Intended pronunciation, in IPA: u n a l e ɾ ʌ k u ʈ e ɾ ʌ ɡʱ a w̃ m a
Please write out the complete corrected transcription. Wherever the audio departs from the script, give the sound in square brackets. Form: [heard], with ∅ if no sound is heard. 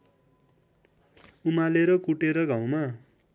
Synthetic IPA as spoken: u [m] a l e ɾ ʌ k u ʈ e ɾ ʌ ɡʱ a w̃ m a